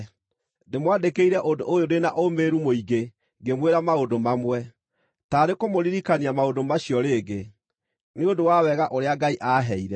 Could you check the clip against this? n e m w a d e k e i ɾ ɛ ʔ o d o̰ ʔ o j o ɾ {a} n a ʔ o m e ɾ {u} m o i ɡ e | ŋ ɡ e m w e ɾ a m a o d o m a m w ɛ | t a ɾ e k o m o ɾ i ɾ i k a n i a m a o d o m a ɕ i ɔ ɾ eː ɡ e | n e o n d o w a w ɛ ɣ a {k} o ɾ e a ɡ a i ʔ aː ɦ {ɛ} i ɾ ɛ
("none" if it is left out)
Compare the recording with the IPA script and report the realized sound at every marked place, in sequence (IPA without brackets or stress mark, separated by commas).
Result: e, u, ʔ, ɛ